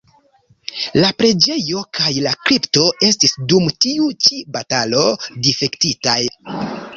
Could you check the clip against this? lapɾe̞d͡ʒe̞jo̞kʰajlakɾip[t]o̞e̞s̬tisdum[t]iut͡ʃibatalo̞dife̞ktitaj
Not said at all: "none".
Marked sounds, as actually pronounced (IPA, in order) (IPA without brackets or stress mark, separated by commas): t, t